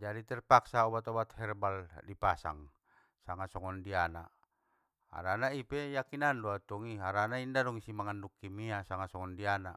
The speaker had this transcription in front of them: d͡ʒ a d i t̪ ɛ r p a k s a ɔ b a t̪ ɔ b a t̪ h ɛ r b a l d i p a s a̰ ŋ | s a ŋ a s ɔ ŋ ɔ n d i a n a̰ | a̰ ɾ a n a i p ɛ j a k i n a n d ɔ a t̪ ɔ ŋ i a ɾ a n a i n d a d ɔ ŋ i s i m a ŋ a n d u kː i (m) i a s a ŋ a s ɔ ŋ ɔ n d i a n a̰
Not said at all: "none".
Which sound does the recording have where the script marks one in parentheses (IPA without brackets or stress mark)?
m